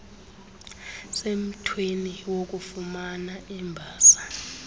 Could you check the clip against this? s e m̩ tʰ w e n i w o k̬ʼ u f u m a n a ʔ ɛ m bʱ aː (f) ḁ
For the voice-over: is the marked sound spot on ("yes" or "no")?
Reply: no